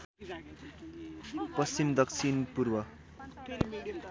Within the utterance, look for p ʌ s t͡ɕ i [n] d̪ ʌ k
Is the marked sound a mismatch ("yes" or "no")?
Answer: yes